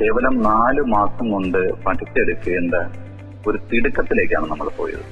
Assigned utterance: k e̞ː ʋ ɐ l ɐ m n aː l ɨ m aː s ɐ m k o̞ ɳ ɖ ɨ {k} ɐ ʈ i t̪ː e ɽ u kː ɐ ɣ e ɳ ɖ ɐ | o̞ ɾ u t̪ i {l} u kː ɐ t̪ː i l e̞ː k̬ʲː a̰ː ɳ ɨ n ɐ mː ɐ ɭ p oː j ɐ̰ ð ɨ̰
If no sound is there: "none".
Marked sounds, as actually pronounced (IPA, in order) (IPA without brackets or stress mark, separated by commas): p, ɽ